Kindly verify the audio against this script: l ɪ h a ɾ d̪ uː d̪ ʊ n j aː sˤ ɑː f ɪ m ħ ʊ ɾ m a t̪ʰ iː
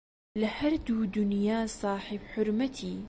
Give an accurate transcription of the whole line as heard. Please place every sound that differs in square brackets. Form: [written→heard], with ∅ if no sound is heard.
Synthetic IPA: l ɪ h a ɾ d̪ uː d̪ ʊ n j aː sˤ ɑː [f→ħ] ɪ [m→b] ħ ʊ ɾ m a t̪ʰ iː